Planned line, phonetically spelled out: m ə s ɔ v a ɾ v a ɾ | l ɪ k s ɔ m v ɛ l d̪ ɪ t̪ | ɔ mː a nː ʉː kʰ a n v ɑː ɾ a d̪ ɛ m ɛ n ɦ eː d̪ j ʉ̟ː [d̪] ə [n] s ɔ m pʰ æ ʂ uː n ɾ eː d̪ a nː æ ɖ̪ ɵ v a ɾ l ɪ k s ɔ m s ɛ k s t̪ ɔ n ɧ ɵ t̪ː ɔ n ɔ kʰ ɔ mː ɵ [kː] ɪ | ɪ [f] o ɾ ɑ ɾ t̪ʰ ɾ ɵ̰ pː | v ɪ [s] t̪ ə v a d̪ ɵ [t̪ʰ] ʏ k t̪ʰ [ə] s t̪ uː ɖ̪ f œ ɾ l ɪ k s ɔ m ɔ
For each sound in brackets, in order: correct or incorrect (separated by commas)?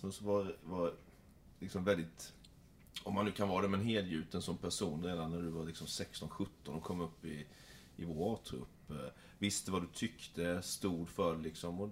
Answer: incorrect, correct, incorrect, incorrect, correct, correct, correct